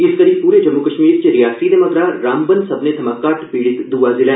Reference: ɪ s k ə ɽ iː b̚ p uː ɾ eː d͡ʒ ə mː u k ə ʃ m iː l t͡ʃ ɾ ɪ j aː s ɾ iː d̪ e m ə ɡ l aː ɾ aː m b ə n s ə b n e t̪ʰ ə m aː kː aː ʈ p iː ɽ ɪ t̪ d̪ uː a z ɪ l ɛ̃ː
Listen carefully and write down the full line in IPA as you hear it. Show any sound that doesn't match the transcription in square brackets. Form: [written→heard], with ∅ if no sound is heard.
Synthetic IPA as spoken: ɪ s k ə [ɽ→ɾ] iː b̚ p uː ɾ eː d͡ʒ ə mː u k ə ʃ m iː [l→ɾ] t͡ʃ ɾ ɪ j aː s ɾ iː d̪ e m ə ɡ [l→ɾ] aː ɾ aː m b ə n s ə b n e t̪ʰ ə m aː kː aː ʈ p iː ɽ ɪ t̪ d̪ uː a z ɪ l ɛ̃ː